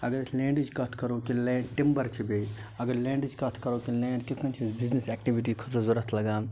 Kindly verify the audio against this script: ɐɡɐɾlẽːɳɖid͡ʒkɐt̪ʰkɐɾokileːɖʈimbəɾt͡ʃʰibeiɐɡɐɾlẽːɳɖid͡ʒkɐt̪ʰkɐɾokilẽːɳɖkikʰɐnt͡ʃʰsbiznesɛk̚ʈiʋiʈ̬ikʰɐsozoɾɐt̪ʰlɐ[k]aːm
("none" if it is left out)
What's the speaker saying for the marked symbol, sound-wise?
ɡ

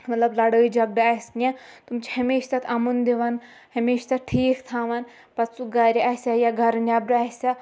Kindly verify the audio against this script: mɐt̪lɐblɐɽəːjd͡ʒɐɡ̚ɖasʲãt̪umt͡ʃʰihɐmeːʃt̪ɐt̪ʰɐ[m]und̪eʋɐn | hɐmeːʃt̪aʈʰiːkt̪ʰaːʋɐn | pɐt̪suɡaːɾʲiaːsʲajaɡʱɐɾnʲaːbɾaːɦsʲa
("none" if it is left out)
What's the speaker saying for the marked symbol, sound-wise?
m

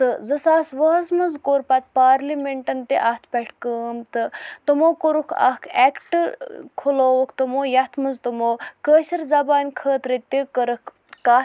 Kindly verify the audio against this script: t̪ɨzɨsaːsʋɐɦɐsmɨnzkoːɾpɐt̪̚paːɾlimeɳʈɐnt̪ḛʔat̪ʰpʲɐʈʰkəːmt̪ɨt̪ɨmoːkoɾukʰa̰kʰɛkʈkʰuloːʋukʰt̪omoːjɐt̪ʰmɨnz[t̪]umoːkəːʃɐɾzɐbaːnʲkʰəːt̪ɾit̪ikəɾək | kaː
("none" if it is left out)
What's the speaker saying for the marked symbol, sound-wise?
t̪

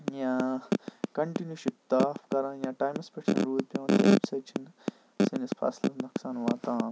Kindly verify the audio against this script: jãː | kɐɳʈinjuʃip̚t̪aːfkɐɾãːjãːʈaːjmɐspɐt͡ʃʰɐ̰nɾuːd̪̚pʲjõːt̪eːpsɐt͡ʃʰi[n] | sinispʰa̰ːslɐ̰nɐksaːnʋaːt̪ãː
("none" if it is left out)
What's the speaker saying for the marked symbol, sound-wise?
n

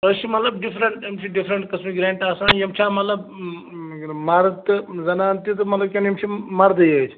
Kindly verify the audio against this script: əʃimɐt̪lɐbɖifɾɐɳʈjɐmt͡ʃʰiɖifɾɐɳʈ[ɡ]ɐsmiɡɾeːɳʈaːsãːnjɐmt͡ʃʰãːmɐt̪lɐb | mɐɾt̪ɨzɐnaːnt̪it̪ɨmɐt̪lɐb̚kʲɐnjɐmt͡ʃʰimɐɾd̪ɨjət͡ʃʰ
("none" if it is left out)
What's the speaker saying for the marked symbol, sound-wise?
k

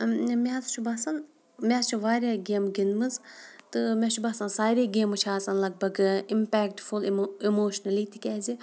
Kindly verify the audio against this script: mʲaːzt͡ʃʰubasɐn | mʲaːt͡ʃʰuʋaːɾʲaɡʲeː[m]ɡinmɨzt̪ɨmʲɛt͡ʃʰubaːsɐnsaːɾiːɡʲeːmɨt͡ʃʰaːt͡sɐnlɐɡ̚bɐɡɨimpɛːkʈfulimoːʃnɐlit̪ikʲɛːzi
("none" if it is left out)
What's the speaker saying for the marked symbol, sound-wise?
m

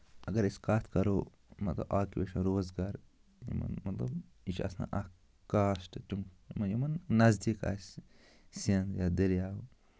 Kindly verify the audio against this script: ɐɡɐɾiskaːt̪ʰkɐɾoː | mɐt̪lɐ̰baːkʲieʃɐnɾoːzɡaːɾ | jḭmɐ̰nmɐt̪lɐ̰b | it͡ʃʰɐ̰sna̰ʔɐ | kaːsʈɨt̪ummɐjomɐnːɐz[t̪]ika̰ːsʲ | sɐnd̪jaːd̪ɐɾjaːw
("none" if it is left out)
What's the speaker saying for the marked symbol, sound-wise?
d̪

